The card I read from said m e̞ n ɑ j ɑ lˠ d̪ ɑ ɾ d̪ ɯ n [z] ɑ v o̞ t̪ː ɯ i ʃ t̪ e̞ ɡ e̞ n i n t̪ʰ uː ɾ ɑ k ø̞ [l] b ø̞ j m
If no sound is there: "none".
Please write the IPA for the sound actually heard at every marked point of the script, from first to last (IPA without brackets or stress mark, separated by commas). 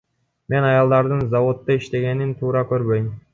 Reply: z, ɾ